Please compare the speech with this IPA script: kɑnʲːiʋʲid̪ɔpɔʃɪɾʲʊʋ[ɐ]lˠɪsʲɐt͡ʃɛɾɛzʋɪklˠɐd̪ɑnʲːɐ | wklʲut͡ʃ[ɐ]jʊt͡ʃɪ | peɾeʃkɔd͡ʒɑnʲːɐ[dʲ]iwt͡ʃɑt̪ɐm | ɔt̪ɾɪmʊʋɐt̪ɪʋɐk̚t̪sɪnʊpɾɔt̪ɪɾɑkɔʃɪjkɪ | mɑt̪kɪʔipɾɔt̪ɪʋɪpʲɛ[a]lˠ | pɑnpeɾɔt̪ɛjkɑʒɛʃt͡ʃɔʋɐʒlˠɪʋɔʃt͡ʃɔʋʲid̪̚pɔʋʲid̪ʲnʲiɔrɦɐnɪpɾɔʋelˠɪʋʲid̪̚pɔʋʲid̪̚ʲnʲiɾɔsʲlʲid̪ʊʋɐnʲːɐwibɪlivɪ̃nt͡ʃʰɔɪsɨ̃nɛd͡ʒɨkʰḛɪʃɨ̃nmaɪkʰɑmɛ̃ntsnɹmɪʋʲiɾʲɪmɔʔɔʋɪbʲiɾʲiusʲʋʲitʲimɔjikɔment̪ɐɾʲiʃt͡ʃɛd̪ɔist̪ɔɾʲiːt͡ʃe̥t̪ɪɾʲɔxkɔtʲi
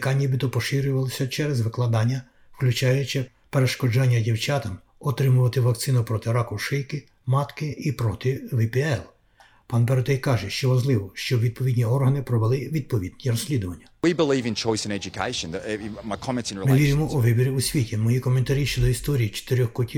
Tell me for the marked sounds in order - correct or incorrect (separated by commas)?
correct, incorrect, correct, incorrect